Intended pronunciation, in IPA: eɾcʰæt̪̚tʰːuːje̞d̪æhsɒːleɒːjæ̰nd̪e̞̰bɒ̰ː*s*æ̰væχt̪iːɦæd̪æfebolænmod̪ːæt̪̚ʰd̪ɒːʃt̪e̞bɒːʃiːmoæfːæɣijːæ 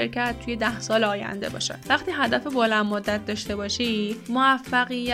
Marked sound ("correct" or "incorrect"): incorrect